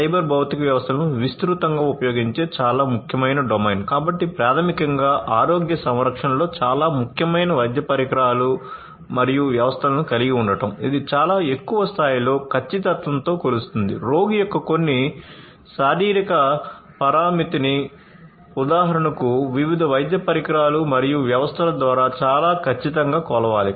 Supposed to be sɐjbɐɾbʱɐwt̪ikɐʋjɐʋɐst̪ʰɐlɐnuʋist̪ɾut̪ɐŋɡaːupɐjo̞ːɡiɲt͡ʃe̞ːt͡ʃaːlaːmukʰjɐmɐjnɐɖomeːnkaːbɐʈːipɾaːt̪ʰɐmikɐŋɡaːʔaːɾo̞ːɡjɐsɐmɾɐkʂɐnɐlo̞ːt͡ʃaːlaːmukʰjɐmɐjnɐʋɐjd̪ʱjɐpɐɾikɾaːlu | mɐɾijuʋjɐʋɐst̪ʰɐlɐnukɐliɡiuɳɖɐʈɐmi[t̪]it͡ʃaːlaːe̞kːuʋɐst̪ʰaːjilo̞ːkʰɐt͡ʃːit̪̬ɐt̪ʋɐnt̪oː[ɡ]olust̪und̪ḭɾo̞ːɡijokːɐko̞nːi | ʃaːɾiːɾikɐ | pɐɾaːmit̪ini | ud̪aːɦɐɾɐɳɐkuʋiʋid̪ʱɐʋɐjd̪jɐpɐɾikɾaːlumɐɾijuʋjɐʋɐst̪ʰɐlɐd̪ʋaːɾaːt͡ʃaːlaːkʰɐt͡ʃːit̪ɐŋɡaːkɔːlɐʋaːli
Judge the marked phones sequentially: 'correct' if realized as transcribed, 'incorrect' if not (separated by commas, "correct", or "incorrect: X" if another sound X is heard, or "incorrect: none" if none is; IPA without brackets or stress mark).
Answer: incorrect: d̪, incorrect: k